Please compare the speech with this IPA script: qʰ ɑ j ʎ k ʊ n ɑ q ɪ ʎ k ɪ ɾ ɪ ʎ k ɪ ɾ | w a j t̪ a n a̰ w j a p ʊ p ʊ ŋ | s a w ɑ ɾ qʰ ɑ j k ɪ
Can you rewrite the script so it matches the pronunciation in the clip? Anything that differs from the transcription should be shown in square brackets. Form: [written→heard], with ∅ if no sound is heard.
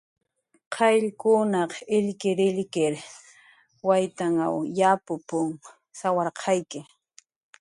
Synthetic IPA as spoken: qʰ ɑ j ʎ k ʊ n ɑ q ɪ ʎ k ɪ ɾ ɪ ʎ k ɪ ɾ | w a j t̪ a [n→ŋ] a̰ w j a p ʊ p ʊ ŋ | s a w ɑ ɾ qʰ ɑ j k ɪ